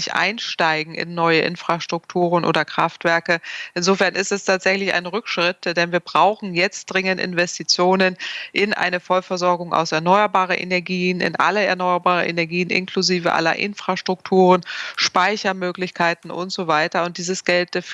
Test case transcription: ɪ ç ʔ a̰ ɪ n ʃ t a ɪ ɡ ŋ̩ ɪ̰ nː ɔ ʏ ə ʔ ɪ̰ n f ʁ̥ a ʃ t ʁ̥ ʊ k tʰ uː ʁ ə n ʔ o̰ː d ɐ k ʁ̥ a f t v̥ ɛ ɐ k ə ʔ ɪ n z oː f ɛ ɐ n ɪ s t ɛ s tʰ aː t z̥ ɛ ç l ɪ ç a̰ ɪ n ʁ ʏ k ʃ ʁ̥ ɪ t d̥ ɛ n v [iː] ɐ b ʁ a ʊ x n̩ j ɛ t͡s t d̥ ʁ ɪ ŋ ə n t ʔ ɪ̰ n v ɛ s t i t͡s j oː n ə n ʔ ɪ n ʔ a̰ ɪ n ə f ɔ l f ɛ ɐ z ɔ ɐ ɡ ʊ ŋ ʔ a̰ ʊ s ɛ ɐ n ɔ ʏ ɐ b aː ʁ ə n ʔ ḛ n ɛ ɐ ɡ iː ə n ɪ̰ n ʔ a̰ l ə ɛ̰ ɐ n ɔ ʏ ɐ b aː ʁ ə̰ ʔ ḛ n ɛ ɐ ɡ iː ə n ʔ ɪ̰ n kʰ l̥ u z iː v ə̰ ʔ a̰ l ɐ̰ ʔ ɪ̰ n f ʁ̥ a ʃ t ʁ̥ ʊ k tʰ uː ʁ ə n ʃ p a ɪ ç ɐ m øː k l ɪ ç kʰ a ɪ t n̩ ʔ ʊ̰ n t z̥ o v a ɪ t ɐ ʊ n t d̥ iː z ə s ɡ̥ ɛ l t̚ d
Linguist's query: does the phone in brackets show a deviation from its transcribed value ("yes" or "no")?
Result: no